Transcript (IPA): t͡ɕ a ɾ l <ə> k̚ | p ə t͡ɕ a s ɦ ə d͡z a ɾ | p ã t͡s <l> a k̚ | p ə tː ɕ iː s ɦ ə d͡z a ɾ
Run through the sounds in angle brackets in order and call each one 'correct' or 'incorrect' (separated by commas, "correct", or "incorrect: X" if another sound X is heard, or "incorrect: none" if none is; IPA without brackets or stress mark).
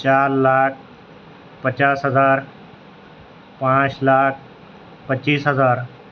incorrect: a, correct